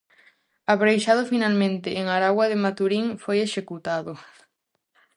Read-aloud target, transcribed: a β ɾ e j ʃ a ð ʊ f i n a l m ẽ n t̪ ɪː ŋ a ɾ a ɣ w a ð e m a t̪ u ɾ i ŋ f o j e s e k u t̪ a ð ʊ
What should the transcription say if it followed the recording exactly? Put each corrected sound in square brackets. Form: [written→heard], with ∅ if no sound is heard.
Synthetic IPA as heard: a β ɾ e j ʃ a ð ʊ f i n a l m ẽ n t̪ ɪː ŋ a ɾ a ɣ w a ð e m a t̪ u ɾ i ŋ f o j e [s→ʃ] e k u t̪ a ð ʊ